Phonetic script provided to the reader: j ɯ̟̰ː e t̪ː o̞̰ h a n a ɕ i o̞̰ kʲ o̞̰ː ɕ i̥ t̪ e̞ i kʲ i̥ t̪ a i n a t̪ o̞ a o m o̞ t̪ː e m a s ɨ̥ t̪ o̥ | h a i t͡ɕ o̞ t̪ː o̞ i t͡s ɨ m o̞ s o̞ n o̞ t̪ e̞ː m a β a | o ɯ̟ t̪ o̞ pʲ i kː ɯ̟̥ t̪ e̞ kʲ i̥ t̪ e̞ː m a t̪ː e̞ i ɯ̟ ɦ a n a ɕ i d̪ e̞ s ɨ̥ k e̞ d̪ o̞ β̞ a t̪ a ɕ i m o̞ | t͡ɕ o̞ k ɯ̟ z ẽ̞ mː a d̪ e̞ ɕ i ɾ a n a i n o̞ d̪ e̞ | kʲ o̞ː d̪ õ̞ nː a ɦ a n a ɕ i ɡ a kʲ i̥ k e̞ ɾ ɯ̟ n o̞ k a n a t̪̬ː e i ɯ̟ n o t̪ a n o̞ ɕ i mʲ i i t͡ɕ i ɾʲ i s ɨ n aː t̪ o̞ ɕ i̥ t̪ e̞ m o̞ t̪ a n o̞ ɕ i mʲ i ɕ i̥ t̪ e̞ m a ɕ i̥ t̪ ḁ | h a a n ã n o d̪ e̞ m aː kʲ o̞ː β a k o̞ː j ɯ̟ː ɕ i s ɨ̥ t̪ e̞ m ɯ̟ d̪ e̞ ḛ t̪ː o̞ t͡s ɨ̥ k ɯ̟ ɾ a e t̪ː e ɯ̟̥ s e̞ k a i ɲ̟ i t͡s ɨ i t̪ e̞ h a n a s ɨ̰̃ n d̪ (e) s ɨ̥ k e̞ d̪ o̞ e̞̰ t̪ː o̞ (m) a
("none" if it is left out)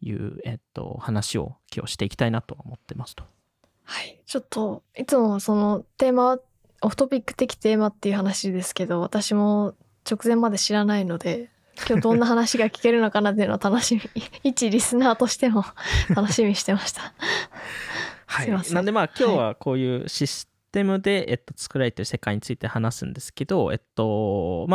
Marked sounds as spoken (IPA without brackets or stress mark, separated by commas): e, m